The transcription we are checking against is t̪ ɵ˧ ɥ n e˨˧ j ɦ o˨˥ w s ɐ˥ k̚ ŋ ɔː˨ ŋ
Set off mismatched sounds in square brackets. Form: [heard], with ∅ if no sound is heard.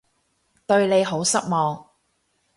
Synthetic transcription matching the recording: t̪ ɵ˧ ɥ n e˨˧ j ɦ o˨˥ w s ɐ˥ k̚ [m] ɔː˨ ŋ